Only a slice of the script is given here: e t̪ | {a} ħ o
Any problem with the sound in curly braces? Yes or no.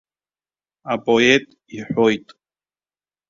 yes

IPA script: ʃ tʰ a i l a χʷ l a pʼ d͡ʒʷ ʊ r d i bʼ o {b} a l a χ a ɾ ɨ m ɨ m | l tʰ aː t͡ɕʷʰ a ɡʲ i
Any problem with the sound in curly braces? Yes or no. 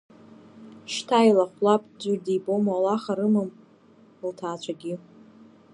yes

